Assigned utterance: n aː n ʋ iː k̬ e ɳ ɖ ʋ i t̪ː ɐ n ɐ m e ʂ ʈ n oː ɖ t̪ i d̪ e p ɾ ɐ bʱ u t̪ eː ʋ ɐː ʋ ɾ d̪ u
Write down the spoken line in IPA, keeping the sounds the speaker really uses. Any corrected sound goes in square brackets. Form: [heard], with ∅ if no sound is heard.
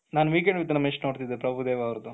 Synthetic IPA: n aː n ʋ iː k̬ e ɳ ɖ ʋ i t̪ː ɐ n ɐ m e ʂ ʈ n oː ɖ t̪ i d̪ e p ɾ ɐ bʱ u [d̪] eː ʋ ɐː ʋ ɾ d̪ u